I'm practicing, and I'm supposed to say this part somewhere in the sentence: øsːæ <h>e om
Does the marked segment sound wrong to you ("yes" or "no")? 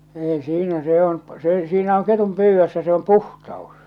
yes